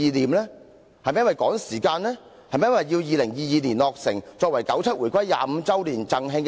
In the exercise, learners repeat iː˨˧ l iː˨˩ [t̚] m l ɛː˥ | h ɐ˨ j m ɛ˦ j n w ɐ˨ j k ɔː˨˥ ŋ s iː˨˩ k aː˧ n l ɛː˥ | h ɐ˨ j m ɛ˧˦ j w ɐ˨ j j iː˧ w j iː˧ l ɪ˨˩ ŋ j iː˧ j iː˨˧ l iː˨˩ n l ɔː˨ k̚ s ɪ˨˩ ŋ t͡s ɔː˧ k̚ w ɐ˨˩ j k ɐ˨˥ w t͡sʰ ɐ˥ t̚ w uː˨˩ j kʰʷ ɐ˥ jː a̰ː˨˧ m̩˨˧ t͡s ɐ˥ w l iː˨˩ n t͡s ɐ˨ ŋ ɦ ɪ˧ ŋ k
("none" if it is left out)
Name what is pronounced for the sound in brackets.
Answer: none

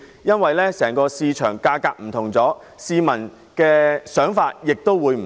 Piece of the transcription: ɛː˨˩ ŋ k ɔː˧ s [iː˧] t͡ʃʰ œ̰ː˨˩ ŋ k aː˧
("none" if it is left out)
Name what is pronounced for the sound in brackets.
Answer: iː˧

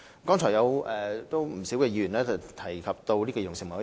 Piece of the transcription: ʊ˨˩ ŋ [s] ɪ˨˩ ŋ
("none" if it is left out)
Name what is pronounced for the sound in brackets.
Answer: s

